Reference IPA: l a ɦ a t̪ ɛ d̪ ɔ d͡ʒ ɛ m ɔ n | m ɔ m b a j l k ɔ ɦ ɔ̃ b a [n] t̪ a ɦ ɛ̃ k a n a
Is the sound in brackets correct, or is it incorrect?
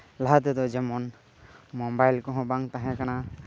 incorrect: ŋ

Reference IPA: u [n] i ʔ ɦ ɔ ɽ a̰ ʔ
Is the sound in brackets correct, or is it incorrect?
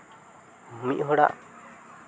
incorrect: m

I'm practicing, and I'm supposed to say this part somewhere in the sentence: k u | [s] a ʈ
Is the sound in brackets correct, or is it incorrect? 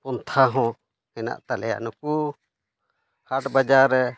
incorrect: h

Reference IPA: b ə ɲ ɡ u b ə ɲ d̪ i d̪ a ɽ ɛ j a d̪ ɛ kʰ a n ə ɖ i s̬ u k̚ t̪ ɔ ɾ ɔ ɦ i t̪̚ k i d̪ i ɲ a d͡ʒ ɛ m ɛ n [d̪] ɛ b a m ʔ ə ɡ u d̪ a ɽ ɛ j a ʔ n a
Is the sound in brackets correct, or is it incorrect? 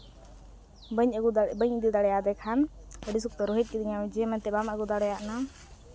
incorrect: t̪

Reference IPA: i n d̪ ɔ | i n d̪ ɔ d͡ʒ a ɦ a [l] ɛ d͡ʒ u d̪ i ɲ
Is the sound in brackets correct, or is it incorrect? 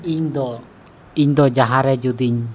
incorrect: ɾ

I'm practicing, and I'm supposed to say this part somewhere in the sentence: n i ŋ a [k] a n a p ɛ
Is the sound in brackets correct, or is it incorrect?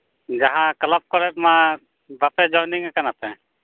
correct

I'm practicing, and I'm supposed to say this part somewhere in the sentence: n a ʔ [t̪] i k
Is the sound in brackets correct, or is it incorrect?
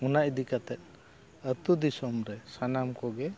incorrect: d̪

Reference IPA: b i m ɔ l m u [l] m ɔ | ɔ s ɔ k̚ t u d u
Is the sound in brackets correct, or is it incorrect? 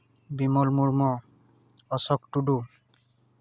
incorrect: ɹ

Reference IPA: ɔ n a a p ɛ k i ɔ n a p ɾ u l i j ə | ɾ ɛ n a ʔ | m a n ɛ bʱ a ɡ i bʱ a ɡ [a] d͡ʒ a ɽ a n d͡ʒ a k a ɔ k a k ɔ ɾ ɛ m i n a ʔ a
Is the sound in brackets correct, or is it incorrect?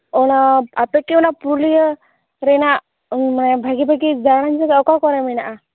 incorrect: i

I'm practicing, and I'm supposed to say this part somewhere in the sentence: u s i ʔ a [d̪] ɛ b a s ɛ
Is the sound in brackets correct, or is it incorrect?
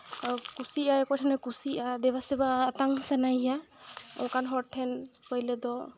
correct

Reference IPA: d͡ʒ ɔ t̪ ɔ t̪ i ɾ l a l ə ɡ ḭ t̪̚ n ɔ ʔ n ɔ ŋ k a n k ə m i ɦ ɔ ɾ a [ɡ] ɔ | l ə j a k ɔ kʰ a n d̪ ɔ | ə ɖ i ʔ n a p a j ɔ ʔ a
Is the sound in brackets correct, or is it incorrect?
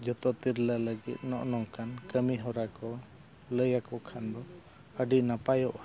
incorrect: k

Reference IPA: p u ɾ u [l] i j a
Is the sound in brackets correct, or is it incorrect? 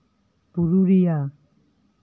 incorrect: ɾ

